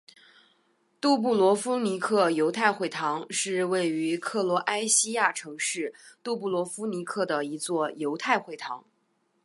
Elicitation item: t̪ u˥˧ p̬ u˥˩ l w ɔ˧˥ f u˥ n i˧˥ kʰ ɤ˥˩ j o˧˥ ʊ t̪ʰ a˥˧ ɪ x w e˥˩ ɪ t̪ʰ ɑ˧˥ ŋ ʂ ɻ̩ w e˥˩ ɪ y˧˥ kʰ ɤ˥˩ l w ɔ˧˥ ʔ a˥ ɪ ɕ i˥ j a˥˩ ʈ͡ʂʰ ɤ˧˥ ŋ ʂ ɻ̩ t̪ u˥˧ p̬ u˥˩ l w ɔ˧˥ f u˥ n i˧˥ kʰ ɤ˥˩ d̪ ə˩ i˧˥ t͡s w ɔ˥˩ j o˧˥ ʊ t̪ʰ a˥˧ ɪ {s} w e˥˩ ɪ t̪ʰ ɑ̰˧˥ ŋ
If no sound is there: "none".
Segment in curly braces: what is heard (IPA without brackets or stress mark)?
x